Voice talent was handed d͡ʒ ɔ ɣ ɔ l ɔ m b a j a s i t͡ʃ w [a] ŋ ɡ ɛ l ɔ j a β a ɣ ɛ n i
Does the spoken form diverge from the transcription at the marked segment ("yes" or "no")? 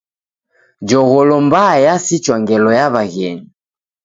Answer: no